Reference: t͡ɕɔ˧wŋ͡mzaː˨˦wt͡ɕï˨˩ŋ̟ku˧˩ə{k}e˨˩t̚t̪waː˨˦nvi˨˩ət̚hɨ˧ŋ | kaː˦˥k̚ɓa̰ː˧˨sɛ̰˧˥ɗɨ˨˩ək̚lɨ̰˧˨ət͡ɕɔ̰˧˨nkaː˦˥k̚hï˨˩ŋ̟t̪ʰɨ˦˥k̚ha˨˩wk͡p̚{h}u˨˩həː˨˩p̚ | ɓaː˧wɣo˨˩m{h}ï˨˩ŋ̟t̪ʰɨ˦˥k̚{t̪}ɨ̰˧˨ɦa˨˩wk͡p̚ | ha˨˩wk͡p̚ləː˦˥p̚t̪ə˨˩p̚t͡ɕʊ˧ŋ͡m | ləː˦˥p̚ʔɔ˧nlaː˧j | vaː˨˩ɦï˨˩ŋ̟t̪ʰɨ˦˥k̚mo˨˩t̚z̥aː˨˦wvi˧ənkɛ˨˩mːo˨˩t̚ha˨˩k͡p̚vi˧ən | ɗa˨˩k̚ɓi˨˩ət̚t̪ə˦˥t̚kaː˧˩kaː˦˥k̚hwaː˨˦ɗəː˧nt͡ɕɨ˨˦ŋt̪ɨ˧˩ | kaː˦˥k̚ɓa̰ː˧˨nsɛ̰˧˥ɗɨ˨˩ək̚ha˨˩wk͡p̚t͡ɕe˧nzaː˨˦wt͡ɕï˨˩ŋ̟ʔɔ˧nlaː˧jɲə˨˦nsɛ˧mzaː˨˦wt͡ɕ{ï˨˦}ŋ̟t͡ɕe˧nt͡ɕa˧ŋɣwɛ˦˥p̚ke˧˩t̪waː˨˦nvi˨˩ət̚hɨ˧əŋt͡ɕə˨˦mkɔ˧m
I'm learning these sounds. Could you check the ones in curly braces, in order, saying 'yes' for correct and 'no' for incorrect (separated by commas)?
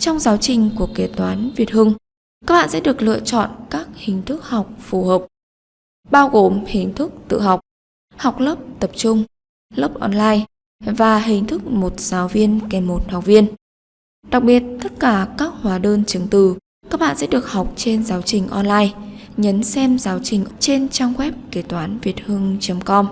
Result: yes, no, yes, yes, no